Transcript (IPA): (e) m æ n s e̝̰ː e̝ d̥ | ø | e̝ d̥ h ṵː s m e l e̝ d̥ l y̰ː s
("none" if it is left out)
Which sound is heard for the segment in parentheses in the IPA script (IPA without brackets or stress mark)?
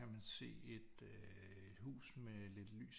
æ